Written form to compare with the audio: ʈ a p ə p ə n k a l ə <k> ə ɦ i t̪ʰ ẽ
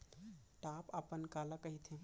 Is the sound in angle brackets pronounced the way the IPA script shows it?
yes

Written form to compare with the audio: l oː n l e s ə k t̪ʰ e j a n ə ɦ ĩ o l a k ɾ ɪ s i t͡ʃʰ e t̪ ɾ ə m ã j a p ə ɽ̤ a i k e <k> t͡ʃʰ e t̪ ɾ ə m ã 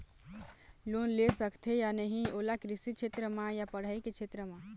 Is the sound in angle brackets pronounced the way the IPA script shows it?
no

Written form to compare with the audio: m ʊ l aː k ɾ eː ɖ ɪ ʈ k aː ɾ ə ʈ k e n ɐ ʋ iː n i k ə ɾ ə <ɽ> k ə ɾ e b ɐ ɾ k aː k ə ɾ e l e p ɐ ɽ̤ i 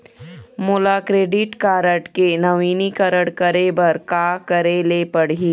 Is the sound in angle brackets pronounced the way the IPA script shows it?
yes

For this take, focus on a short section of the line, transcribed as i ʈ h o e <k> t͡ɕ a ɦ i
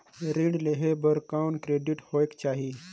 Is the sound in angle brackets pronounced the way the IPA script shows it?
yes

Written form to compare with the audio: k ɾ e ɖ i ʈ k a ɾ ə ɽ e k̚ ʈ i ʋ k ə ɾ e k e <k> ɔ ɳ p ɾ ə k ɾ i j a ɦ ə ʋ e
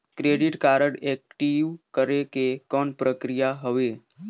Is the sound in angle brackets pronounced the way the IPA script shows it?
yes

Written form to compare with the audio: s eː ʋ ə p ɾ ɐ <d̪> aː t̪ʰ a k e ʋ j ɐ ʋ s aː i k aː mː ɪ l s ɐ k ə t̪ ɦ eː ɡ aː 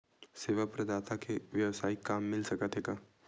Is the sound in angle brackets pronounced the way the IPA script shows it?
yes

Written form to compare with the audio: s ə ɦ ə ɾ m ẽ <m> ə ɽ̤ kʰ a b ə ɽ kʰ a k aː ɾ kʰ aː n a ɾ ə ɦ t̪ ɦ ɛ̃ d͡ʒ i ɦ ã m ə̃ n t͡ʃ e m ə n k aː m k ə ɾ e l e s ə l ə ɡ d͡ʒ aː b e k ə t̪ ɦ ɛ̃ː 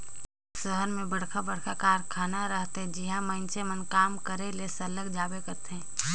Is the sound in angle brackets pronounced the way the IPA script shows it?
no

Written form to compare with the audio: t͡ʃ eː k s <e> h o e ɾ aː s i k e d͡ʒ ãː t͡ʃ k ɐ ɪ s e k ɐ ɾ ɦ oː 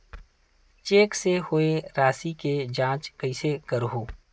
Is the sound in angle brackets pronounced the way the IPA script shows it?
yes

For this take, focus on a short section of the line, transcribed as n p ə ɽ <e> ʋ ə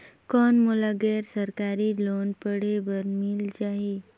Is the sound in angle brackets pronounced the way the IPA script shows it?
yes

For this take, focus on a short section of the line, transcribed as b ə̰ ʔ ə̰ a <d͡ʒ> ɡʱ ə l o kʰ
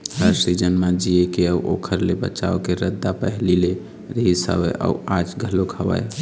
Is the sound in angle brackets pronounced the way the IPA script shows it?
yes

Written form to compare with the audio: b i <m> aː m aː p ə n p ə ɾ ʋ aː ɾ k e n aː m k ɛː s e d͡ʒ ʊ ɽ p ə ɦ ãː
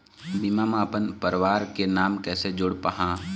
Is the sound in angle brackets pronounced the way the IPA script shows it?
yes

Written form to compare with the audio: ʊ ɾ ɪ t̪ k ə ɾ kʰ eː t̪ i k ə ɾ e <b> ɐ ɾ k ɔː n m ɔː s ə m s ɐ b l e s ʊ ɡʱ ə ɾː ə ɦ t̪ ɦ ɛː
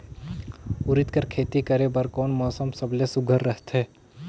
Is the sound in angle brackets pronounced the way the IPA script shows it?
yes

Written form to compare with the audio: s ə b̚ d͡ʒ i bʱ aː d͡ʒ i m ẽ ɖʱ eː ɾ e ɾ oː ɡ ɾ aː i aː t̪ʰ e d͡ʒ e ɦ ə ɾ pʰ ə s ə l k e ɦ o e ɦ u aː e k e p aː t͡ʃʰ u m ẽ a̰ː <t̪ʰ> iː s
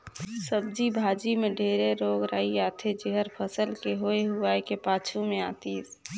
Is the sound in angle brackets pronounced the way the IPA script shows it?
no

